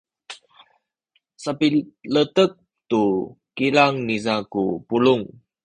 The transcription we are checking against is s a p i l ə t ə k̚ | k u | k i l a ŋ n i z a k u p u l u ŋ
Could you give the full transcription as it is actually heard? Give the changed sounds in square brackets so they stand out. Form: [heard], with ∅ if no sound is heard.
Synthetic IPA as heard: s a p i l ə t ə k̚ | [t] u | k i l a ŋ n i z a k u p u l u ŋ